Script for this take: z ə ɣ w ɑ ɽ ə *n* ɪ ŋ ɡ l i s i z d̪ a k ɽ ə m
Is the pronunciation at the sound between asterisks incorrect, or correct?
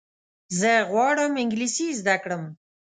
incorrect